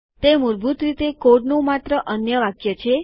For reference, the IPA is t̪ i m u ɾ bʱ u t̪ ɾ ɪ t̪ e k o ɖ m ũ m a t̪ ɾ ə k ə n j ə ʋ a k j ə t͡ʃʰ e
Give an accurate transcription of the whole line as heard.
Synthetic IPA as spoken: t̪ e m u ɾ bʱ u t̪ ɾ i t̪ e k o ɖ n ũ m a t̪ ɾ ə ʔ ə n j ə ʋ a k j ə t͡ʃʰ e